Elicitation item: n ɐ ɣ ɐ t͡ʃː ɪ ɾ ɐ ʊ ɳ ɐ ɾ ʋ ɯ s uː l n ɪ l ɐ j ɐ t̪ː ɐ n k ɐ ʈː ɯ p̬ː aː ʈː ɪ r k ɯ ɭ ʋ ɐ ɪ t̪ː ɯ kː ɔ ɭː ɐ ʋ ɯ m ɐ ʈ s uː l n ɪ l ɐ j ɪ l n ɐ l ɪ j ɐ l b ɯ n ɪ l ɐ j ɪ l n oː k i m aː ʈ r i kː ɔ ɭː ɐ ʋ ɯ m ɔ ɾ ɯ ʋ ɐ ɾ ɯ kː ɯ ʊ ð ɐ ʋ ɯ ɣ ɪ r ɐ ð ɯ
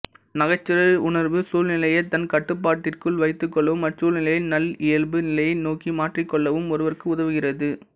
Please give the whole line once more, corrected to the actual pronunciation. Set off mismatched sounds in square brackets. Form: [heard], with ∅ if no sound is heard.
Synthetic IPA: n ɐ ɣ ɐ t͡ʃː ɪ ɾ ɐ ʊ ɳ ɐ ɾ ʋ ɯ s uː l n ɪ l ɐ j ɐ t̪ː ɐ n k ɐ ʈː ɯ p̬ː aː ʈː ɪ r k ɯ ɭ ʋ ɐ ɪ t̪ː ɯ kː ɔ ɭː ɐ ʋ ɯ m ɐ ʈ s uː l n ɪ l ɐ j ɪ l n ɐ l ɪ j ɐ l b ɯ n ɪ l ɐ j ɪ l n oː k i m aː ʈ r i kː ɔ ɭː ɐ ʋ ɯ m ɔ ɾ ɯ ʋ ɐ ɾ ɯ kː ɯ ʊ ð ɐ ʋ ɯ ɣ ɪ r ɐ ð ɯ

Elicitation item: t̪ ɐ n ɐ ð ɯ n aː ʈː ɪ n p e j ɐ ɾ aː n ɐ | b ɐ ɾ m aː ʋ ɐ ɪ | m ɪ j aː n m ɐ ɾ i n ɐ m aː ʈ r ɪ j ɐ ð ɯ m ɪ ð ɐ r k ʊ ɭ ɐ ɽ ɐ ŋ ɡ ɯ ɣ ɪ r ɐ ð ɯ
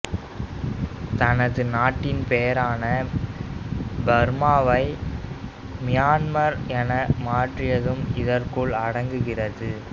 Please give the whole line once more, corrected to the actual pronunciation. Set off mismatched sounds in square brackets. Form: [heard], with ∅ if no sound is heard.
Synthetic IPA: t̪ ɐ n ɐ ð ɯ n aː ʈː ɪ n p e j ɐ ɾ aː n ɐ | b ɐ ɾ m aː ʋ ɐ ɪ | m ɪ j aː n m ɐ ɾ [ɛ] n ɐ m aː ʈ r ɪ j ɐ ð ɯ m ɪ ð ɐ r k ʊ ɭ ɐ ɽ ɐ ŋ ɡ ɯ ɣ ɪ r ɐ ð ɯ

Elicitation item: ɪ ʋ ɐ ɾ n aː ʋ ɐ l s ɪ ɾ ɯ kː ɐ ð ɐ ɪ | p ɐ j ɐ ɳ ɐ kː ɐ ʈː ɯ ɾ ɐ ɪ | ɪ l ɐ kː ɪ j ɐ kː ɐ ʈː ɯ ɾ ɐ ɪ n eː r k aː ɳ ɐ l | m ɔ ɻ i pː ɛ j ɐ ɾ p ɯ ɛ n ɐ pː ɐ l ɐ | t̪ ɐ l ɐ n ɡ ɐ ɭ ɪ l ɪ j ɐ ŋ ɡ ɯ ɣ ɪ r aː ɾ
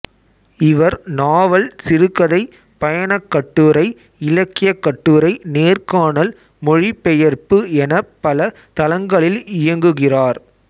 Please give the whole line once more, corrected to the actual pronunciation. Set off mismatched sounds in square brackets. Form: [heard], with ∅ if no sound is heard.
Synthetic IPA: ɪ ʋ ɐ ɾ n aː ʋ ɐ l s ɪ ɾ ɯ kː ɐ ð ɐ ɪ | p ɐ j ɐ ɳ ɐ kː ɐ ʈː ɯ ɾ ɐ ɪ | ɪ l ɐ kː ɪ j ɐ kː ɐ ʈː ɯ ɾ ɐ ɪ n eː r k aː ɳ ɐ l | m ɔ ɻ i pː ɛ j ɐ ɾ p ɯ ɛ n ɐ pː ɐ l ɐ | t̪ ɐ l ɐ [ŋ] ɡ ɐ ɭ ɪ l ɪ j ɐ ŋ ɡ ɯ ɣ ɪ r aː ɾ

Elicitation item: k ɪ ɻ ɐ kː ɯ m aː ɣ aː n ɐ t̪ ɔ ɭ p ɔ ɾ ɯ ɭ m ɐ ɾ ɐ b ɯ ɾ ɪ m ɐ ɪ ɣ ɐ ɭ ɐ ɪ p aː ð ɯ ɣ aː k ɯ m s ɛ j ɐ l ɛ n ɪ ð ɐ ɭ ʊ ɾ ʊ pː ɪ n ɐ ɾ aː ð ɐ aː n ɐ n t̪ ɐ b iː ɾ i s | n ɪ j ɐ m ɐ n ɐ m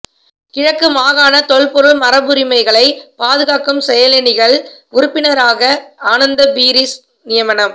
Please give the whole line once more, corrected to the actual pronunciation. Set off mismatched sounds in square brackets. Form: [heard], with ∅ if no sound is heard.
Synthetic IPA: k ɪ ɻ ɐ kː ɯ m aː ɣ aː n ɐ t̪ ɔ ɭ p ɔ ɾ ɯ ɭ m ɐ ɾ ɐ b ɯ ɾ ɪ m ɐ ɪ ɣ ɐ ɭ ɐ ɪ p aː ð ɯ ɣ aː k ɯ m s ɛ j ɐ l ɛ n ɪ [ɣ] ɐ ɭ ʊ ɾ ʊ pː ɪ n ɐ ɾ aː [ɣ] ɐ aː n ɐ n [d̪] ɐ b iː ɾ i s | n ɪ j ɐ m ɐ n ɐ m

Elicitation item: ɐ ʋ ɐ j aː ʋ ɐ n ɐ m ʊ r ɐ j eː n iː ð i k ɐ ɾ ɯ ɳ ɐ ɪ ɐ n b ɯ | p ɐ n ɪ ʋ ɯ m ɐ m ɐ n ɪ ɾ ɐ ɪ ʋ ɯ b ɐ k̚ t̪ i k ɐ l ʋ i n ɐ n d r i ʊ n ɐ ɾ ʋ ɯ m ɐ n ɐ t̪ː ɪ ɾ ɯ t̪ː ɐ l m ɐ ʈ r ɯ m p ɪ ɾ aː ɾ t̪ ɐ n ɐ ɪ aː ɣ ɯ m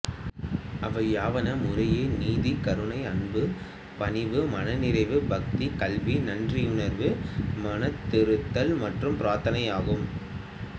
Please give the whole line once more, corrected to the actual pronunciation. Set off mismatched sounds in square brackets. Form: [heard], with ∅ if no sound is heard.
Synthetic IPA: ɐ ʋ ɐ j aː ʋ ɐ n ɐ m ʊ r ɐ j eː n iː ð i k ɐ ɾ ɯ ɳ ɐ ɪ ɐ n b ɯ | p ɐ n ɪ ʋ ɯ m ɐ [n] ɐ n ɪ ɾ ɐ ɪ ʋ ɯ b ɐ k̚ t̪ i k ɐ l ʋ i n ɐ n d r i ʊ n ɐ ɾ ʋ ɯ m ɐ n ɐ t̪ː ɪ ɾ ɯ t̪ː ɐ l m ɐ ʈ r ɯ m p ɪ ɾ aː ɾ t̪ ɐ n ɐ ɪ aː ɣ ɯ m

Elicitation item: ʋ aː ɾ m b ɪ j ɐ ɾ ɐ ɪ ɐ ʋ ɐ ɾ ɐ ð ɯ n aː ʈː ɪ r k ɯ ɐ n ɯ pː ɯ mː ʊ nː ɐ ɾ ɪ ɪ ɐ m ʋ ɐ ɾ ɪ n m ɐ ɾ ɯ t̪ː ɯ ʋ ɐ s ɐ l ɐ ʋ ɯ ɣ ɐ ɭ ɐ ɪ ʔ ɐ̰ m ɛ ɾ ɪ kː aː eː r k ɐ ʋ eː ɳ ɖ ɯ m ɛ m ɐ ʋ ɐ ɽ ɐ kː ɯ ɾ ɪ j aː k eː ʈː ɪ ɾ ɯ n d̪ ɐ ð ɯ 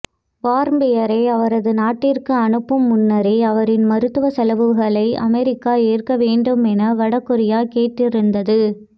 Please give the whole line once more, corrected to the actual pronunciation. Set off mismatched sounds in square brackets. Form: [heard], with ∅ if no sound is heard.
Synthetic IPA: ʋ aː ɾ m b ɪ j ɐ ɾ ɐ ɪ ɐ ʋ ɐ ɾ ɐ ð ɯ n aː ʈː ɪ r k ɯ ɐ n ɯ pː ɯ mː ʊ nː ɐ ɾ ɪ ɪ ɐ [∅] ʋ ɐ ɾ ɪ n m ɐ ɾ ɯ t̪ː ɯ ʋ ɐ s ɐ l ɐ ʋ ɯ ɣ ɐ ɭ ɐ ɪ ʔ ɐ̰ m ɛ ɾ ɪ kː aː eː r k ɐ ʋ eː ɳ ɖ ɯ m ɛ [n] ɐ ʋ ɐ ɽ ɐ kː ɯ ɾ ɪ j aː k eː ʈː ɪ ɾ ɯ n d̪ ɐ ð ɯ

